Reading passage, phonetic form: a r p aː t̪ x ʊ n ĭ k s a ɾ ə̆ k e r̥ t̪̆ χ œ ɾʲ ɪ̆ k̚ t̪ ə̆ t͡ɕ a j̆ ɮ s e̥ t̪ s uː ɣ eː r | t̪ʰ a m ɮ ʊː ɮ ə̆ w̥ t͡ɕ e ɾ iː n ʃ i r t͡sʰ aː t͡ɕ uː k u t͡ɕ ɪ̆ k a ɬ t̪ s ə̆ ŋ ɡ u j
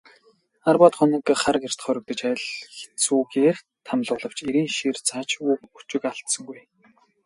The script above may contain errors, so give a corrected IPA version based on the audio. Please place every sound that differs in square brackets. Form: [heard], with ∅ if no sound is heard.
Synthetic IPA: a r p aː t̪ [χ] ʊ n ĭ k [χ] a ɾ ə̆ k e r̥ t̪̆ χ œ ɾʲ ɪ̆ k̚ t̪ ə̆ t͡ɕ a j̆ ɮ [x] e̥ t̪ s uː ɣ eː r | t̪ʰ a m ɮ ʊː ɮ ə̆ w̥ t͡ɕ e ɾ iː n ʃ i r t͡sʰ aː t͡ɕ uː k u t͡ɕ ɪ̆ k a ɬ t̪ s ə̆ ŋ ɡ u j